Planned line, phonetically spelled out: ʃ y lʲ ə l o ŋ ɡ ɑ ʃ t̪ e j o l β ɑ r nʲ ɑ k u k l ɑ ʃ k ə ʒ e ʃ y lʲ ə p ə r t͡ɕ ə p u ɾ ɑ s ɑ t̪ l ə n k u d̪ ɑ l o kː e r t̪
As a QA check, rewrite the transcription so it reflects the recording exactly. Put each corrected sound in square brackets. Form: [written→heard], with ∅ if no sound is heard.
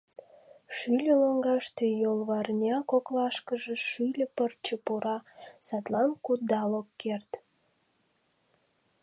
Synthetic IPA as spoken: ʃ y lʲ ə l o ŋ ɡ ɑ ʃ t̪ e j o l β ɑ r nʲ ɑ k [u→o] k l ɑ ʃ k ə ʒ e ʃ y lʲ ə p ə r t͡ɕ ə p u ɾ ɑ s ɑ t̪ l [ə→ɑ] n k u d̪ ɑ l o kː e r t̪